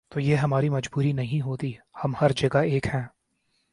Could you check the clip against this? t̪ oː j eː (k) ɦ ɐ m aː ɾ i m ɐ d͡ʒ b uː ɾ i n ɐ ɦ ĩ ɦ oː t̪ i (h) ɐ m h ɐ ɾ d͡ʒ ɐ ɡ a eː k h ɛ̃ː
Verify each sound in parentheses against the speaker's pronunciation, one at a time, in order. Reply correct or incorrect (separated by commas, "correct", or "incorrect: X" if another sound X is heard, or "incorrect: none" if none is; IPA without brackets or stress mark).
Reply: incorrect: none, correct